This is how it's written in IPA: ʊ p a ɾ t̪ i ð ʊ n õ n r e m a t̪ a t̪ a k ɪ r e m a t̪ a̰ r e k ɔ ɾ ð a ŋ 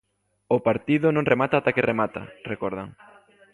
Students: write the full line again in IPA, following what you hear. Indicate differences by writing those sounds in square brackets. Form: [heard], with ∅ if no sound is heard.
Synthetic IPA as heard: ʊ p a ɾ t̪ i ð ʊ n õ [ŋ] r e m a t̪ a t̪ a k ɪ r e m a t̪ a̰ r e k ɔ ɾ ð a ŋ